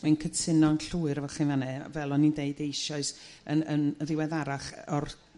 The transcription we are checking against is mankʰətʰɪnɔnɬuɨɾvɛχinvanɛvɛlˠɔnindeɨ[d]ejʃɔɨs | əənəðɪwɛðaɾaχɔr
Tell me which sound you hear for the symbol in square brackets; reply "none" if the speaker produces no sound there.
d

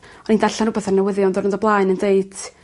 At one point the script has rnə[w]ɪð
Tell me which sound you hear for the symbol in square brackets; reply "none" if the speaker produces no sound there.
w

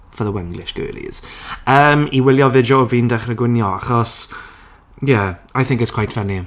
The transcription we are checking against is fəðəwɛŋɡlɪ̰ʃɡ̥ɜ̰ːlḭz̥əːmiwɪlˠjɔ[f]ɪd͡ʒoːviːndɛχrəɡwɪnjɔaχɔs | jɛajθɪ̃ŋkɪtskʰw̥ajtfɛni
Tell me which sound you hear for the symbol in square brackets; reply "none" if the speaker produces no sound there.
v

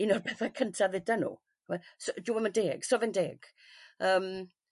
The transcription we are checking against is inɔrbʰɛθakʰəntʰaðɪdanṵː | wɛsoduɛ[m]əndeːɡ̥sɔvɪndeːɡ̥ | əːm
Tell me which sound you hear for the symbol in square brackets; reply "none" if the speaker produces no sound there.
m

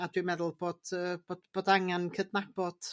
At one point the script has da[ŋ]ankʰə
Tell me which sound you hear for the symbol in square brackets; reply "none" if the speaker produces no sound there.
ŋ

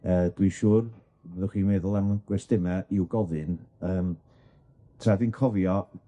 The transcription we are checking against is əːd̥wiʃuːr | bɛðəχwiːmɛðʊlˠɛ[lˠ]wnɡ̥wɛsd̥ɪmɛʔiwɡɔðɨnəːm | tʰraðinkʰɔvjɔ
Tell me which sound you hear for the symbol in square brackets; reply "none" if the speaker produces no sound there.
none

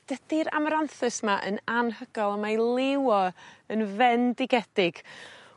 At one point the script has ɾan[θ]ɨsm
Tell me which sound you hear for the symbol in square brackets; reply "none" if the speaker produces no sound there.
θ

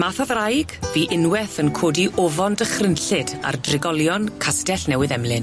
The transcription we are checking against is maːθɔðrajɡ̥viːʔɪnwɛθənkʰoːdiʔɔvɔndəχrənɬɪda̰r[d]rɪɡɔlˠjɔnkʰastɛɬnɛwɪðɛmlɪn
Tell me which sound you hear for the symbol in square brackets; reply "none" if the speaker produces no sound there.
d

